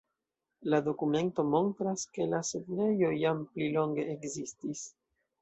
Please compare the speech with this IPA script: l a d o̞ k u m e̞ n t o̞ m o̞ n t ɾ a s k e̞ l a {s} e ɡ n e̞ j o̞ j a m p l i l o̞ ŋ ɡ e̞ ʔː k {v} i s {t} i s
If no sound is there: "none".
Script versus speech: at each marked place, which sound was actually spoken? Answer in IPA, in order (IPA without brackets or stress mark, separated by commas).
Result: s, z, t